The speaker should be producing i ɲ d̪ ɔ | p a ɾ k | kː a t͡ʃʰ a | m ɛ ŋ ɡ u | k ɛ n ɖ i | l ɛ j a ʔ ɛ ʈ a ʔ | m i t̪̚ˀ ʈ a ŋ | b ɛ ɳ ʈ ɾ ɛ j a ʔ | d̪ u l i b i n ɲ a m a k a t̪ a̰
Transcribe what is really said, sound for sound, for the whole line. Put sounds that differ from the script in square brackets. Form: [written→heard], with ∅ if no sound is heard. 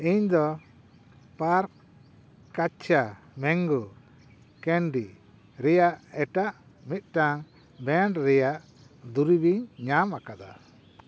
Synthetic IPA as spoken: i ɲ d̪ ɔ | p a ɾ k | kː a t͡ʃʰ a | m ɛ ŋ ɡ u | k ɛ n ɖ i | [l→ɾ] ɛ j a ʔ ɛ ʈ a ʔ | m i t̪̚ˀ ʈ a ŋ | b ɛ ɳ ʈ ɾ ɛ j a ʔ | d̪ u [l→ɾ] i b i [n→ɲ] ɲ a m a k a [t̪→d̪] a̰

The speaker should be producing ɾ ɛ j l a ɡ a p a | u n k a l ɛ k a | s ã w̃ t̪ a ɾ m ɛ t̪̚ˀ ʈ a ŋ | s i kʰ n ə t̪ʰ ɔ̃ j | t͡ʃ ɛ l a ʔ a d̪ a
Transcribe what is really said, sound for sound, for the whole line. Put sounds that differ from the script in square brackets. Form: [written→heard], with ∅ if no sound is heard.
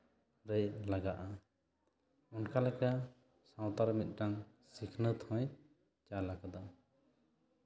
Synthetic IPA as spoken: ɾ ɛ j l a ɡ a [p→ʔ] a | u n k a l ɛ k a | s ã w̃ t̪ a ɾ m [ɛ→i] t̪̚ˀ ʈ a ŋ | s i kʰ n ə t̪ʰ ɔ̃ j | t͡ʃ [ɛ→a] l a [ʔ→k] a d̪ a

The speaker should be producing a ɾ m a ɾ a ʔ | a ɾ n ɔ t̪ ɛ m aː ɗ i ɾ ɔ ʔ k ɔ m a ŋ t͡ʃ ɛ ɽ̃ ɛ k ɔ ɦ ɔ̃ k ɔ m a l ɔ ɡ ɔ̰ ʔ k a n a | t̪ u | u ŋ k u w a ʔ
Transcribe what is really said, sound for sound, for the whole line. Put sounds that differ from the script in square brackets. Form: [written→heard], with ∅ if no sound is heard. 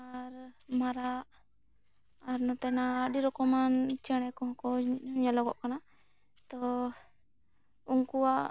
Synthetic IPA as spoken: a ɾ m a ɾ a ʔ | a ɾ n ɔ t̪ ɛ [m→n] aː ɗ i ɾ ɔ [ʔ→∅] k ɔ m a [ŋ→n] t͡ʃ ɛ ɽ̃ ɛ k ɔ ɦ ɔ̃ k ɔ [m→ɲ] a l ɔ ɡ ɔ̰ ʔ k a n a | t̪ [u→ɔ] | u ŋ k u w a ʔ

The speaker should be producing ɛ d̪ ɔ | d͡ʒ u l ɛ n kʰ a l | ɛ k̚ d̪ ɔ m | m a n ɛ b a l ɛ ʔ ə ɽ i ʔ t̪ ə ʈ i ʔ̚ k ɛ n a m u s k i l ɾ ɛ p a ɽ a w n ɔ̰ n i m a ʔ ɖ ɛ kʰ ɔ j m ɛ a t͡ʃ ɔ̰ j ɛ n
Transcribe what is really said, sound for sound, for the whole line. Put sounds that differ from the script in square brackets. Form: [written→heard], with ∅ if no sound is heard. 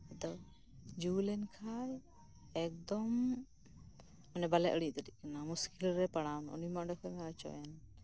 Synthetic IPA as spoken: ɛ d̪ ɔ | d͡ʒ u l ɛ n kʰ a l | ɛ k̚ d̪ ɔ m | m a n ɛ b a l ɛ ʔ ə ɽ i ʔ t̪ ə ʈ i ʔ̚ k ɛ n a m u s k i l ɾ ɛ p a ɽ a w n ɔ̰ n i m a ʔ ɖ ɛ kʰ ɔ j m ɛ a t͡ʃ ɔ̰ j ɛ n

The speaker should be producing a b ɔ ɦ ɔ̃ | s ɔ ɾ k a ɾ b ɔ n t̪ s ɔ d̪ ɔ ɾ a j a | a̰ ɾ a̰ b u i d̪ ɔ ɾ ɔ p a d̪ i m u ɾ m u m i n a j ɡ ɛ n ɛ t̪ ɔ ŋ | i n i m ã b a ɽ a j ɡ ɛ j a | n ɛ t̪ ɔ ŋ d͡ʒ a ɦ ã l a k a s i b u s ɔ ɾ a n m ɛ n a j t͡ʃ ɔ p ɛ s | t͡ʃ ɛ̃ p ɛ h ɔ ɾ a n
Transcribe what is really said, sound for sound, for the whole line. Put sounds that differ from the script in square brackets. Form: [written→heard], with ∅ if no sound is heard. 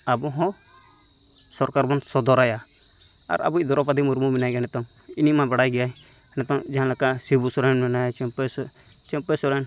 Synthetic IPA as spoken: a b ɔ ɦ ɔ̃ | s ɔ ɾ k a ɾ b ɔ n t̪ s ɔ d̪ ɔ ɾ a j a | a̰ ɾ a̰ b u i d̪ ɔ ɾ ɔ p a d̪ i m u ɾ m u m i n a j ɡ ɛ n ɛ t̪ ɔ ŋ | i n i m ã b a ɽ a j ɡ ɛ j a | n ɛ t̪ ɔ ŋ d͡ʒ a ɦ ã l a k a s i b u s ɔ ɾ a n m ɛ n a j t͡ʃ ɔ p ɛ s | t͡ʃ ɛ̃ p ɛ [h→s] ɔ ɾ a n

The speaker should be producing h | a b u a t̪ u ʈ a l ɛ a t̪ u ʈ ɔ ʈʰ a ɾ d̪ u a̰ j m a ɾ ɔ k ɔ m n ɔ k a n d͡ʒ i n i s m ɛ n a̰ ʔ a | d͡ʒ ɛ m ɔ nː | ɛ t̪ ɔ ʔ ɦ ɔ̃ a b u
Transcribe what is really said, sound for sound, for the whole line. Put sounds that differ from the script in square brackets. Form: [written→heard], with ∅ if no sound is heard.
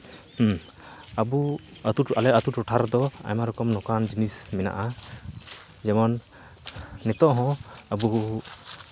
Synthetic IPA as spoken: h | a b u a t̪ u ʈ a l ɛ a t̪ u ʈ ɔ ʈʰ a ɾ d̪ [u→ɔ] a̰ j m a ɾ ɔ k ɔ m n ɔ k a n d͡ʒ i n i s m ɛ n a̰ ʔ a | d͡ʒ ɛ m ɔ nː | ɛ t̪ ɔ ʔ ɦ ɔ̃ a b u

